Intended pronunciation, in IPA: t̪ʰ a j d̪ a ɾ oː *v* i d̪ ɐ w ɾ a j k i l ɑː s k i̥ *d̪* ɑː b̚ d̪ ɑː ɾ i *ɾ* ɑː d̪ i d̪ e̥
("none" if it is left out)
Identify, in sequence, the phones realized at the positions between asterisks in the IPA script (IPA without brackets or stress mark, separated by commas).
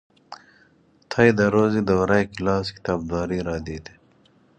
z, t̪, ɾ